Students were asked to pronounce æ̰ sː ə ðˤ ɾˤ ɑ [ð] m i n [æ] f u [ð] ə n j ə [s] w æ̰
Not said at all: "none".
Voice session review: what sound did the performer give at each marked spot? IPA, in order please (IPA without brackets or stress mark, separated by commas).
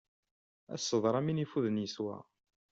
none, i, ð, s